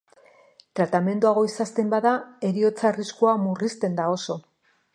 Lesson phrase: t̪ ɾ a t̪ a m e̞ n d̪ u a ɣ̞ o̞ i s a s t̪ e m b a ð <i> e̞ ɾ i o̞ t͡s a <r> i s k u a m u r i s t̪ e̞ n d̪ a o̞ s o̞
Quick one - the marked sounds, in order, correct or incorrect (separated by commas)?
incorrect, correct